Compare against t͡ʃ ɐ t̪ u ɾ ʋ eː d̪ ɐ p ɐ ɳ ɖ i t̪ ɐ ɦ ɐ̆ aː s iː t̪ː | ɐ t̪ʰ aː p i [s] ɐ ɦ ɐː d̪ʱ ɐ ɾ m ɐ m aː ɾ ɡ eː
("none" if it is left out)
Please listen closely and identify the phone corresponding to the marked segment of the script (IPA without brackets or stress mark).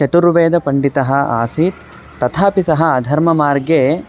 s